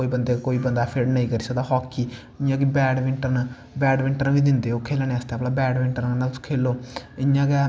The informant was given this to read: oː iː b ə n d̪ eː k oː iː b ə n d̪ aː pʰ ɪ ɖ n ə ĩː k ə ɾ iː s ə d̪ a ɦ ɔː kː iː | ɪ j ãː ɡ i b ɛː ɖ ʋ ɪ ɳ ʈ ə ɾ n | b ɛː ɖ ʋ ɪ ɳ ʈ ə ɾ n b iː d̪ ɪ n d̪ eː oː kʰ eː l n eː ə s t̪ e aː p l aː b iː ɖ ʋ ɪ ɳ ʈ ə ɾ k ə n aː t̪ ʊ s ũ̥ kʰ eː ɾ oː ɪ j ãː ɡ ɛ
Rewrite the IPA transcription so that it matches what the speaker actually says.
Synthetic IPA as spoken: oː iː b ə n d̪ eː k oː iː b ə n d̪ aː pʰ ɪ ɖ n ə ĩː k ə ɾ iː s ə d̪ a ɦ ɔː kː iː | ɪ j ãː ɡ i b ɛː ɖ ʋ ɪ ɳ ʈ ə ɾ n | b ɛː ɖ ʋ ɪ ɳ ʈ ə ɾ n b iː d̪ ɪ n d̪ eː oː kʰ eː l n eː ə s t̪ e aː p l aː b ɛː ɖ ʋ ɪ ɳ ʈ ə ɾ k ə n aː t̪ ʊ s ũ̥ kʰ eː l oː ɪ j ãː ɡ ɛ

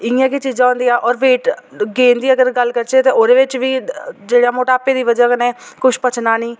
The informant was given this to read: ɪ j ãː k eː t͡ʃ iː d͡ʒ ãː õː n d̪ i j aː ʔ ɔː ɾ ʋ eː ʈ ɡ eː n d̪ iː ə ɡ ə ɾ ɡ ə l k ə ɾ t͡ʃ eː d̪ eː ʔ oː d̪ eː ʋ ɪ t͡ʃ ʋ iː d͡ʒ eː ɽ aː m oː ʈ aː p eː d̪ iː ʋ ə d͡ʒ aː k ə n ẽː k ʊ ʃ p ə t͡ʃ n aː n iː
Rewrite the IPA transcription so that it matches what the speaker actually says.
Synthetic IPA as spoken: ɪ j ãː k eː t͡ʃ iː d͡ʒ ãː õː n d̪ i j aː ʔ ɔː ɾ ʋ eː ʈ ɡ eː n d̪ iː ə ɡ ə ɾ ɡ ə l k ə ɾ t͡ʃ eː t̪ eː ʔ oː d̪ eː ʋ ɪ t͡ʃ ʋ iː d͡ʒ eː ɽ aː m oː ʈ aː p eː d̪ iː ʋ ə d͡ʒ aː k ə n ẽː k ʊ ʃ p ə t͡ʃ n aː n iː

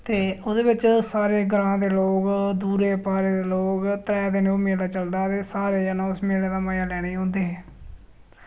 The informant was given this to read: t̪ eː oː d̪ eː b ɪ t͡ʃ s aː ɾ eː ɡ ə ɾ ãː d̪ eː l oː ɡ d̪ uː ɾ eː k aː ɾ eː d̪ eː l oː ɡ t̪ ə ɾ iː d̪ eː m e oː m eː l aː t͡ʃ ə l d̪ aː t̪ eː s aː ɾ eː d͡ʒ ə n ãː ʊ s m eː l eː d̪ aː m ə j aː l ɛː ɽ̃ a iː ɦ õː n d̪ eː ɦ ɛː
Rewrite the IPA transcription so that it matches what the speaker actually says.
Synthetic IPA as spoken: t̪ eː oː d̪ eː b ɪ t͡ʃ s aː ɾ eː ɡ ə ɾ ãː d̪ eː l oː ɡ d̪ uː ɾ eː p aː ɾ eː d̪ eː l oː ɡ t̪ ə ɾ ɛː d̪ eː n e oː m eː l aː t͡ʃ ə l d̪ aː t̪ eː s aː ɾ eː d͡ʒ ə n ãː ʊ s m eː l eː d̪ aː m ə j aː l ɛː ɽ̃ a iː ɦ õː n d̪ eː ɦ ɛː

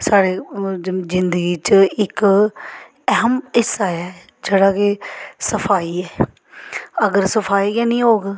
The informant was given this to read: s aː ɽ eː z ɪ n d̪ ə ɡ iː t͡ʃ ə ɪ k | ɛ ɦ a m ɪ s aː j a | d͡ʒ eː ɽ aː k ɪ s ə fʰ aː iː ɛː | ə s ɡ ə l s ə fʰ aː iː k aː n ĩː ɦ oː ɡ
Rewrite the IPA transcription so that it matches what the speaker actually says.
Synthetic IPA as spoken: s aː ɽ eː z ɪ n d̪ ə ɡ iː t͡ʃ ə ɪ k | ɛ ɦ ə m ɪ s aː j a | d͡ʒ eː ɽ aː k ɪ s ə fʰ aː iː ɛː | ə ɡ ə ɾ s ə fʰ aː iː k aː n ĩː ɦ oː ɡ

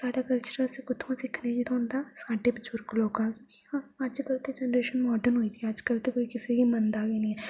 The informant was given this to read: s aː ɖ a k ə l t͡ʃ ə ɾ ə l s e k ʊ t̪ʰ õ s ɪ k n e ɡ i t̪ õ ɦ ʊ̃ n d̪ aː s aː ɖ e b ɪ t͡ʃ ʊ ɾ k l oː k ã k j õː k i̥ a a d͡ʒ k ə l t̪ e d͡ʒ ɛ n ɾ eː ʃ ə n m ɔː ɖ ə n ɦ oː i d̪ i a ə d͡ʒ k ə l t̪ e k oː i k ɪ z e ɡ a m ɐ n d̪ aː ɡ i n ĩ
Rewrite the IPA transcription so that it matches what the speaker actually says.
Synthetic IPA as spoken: s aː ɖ a k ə l t͡ʃ ə ɾ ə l s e k ʊ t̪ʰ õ s ɪ kʰ n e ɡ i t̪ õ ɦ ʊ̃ n d̪ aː s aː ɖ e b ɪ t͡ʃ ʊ ɾ k l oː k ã k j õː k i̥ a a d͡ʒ k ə l t̪ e d͡ʒ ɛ n ɾ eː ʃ ə n m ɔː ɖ ə n ɦ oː i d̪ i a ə d͡ʒ k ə l t̪ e k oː i k ɪ s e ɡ i m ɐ n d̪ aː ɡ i n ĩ

